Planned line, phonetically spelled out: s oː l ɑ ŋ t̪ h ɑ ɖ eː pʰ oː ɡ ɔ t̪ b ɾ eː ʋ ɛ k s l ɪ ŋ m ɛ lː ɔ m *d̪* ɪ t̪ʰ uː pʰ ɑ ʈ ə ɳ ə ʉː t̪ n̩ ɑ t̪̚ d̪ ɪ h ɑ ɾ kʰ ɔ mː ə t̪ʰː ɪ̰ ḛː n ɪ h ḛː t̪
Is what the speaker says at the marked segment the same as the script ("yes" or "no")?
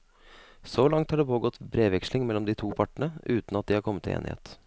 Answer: yes